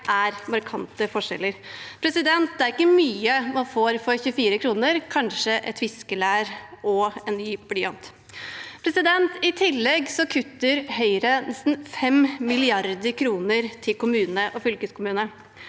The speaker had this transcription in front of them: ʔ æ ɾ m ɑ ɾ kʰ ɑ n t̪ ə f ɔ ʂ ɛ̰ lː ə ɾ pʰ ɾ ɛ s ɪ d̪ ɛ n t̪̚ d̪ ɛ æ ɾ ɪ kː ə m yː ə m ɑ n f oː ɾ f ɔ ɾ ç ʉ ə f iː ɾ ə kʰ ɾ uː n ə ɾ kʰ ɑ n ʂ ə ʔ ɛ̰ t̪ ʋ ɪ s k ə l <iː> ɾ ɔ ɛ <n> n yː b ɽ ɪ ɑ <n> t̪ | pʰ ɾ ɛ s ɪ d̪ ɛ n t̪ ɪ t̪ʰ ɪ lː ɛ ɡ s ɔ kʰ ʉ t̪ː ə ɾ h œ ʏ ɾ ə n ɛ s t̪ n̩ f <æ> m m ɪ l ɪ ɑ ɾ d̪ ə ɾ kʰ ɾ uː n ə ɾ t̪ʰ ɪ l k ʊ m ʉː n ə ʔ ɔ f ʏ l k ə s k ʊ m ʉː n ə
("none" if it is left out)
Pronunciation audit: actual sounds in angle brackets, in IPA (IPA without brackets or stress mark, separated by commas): æː, n, n, ɛ